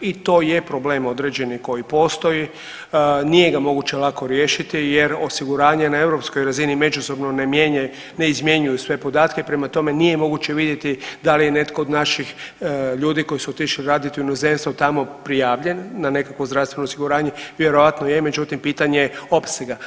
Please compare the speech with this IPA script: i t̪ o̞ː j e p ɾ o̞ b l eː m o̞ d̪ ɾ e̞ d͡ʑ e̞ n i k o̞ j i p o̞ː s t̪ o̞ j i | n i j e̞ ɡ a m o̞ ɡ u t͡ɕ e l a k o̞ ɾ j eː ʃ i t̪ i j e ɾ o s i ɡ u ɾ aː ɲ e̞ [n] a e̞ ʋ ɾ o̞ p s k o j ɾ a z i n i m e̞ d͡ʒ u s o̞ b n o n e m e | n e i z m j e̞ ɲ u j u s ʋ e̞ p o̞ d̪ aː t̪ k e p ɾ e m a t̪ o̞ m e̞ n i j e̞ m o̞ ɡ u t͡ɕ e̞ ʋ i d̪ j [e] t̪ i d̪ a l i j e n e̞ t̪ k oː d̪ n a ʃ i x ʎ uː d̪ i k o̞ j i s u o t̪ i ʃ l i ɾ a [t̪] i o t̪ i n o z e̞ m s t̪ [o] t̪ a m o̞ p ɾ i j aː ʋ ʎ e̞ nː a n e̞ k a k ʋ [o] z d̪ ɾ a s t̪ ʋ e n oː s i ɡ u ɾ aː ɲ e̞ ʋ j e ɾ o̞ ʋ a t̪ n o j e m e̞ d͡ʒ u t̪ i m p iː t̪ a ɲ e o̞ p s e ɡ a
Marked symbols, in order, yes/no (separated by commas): yes, yes, no, yes, yes